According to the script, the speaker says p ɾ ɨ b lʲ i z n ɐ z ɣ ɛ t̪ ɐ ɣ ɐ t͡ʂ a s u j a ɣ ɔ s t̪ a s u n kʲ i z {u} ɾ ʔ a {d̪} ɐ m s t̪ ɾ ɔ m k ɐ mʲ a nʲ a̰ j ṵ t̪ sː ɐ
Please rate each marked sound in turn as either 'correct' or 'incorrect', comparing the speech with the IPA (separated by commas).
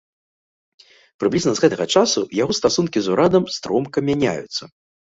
correct, correct